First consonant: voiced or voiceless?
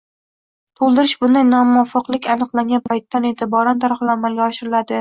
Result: voiceless